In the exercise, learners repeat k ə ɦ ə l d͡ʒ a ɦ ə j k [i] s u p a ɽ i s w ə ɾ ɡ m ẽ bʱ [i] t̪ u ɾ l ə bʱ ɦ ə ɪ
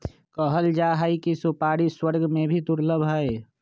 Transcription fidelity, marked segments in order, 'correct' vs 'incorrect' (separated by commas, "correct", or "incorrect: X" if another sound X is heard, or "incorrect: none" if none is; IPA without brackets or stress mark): correct, correct